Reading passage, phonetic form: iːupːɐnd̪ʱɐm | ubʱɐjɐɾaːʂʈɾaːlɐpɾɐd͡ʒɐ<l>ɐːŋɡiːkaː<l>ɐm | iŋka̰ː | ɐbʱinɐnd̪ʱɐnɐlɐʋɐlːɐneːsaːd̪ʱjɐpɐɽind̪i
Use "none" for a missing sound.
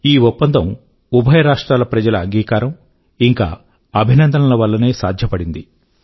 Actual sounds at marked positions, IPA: l, ɾ

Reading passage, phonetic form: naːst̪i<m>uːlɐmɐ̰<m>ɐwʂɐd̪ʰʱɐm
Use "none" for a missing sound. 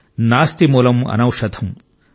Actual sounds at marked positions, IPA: m, n

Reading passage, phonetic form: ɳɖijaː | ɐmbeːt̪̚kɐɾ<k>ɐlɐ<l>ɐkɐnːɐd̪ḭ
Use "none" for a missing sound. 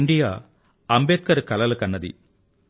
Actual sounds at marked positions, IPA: k, l

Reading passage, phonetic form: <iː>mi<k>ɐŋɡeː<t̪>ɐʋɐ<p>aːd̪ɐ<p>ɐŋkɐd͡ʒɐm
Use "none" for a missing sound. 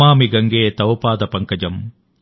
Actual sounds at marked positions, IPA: aː, ɡ, t̪, p, p

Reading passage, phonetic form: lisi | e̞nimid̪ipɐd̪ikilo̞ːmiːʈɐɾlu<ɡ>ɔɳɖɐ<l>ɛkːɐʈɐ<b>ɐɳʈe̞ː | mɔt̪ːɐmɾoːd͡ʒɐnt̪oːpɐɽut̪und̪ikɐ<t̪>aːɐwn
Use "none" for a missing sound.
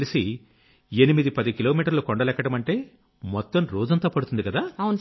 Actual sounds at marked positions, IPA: k, l, m, d̪

